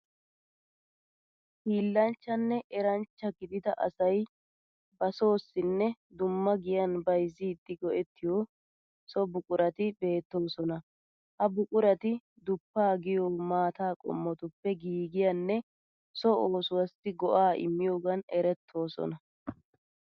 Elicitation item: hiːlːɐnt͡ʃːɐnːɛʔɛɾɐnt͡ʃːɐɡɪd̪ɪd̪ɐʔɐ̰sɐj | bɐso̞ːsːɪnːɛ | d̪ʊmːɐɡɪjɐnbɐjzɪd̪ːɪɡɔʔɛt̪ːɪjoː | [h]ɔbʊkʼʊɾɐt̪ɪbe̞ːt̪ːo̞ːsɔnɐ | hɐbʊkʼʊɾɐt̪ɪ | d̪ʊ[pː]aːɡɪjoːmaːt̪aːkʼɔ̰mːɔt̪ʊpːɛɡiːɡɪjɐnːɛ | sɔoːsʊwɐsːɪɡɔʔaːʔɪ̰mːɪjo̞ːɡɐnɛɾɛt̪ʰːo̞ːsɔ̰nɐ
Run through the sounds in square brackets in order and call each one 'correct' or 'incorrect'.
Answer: incorrect, correct

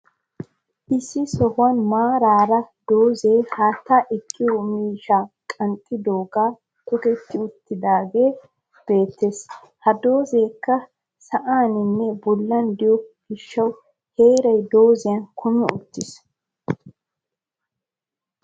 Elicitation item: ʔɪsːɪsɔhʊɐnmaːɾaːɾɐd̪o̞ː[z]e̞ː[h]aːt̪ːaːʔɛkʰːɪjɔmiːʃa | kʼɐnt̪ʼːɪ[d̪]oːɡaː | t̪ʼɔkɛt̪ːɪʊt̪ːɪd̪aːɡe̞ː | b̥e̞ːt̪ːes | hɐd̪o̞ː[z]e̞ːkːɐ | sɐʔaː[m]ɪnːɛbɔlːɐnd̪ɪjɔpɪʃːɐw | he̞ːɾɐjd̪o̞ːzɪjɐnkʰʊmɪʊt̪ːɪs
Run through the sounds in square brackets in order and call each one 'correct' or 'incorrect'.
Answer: correct, correct, correct, correct, incorrect

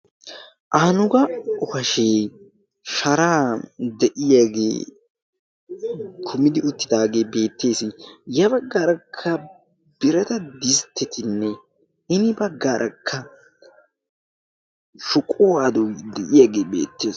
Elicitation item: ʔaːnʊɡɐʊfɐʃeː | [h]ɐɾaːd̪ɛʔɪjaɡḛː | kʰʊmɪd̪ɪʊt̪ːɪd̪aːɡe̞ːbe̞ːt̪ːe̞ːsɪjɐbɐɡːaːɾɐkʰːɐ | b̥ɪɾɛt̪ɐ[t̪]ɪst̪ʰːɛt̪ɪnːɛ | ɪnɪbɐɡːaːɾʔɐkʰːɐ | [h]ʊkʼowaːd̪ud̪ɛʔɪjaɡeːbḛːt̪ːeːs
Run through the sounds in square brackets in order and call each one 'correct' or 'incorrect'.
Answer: incorrect, incorrect, incorrect

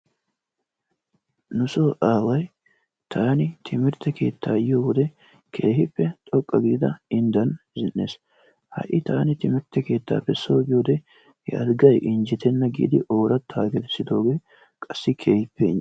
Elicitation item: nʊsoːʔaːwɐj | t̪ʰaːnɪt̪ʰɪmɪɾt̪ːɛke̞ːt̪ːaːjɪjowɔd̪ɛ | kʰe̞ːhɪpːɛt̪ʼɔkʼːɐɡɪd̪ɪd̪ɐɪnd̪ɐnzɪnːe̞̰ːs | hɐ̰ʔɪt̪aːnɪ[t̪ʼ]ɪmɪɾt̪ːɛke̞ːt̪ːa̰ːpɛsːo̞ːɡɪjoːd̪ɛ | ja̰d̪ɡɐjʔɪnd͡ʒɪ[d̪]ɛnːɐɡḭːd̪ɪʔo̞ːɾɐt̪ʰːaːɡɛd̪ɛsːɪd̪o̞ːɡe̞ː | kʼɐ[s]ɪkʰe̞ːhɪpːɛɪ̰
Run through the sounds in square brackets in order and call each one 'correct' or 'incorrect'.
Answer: incorrect, incorrect, incorrect

